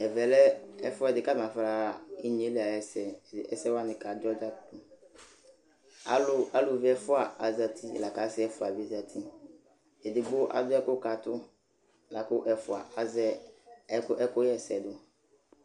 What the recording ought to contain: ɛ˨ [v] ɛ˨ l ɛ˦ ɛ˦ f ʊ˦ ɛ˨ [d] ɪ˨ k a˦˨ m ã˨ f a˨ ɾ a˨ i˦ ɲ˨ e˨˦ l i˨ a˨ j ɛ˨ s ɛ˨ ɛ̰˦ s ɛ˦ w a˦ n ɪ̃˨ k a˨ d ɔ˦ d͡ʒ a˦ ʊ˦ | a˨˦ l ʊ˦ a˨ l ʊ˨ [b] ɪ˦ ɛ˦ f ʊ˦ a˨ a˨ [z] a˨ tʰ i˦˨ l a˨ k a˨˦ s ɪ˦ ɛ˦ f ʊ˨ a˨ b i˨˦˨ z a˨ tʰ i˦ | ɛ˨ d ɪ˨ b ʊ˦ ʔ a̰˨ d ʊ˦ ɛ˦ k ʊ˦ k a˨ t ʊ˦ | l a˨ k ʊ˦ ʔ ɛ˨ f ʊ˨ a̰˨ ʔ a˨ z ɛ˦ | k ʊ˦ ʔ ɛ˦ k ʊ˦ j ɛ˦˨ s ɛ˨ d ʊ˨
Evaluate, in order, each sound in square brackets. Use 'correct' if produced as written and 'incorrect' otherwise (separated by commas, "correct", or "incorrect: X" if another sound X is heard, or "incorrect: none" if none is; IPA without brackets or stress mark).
correct, correct, incorrect: v, correct